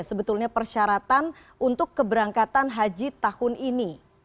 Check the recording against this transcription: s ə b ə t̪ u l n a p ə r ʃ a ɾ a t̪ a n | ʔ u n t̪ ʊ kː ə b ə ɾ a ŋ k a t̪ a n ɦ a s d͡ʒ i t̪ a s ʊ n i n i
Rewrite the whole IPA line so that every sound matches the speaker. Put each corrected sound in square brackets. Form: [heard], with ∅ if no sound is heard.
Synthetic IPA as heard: s ə b ə t̪ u l [ɲ] a p ə r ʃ a ɾ a t̪ a n | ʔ u n t̪ ʊ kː ə b ə ɾ a ŋ k a t̪ a n ɦ a [∅] d͡ʒ i t̪ a [h] ʊ n i n i